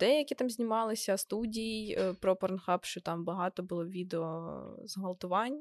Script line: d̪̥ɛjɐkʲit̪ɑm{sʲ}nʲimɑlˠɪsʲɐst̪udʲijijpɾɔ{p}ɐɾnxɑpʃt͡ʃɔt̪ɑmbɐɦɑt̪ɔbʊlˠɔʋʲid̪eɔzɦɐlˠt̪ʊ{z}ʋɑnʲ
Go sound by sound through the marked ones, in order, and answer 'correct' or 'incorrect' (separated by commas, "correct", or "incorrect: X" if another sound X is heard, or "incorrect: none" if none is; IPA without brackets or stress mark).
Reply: incorrect: zʲ, correct, incorrect: none